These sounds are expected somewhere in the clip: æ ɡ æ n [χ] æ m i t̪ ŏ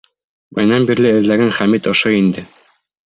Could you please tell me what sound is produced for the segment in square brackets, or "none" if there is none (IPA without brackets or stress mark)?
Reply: χ